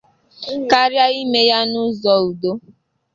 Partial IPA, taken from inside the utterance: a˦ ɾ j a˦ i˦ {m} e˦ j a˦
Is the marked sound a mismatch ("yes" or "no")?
no